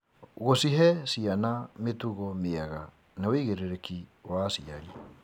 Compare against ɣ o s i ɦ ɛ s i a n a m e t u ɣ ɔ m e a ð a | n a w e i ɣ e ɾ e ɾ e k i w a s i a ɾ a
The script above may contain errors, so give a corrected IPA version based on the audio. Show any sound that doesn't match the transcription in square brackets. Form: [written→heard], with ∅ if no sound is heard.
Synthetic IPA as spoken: ɣ o s i ɦ ɛ s i a n a m e t u ɣ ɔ m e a [ð→ɣ] a | n a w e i ɣ e ɾ e ɾ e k i w a s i a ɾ [a→i]